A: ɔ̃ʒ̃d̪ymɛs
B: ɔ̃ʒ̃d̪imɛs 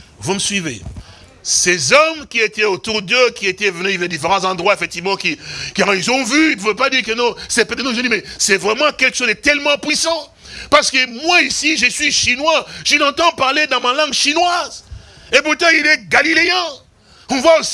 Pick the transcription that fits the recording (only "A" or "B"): B